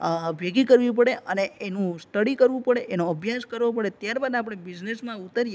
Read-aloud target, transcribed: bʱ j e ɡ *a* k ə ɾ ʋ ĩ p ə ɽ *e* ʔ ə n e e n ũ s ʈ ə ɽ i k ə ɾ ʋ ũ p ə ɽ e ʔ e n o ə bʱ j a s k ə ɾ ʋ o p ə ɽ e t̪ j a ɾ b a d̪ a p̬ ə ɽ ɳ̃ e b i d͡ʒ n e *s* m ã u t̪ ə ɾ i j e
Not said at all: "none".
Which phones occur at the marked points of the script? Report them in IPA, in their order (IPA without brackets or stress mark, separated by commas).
i, e, s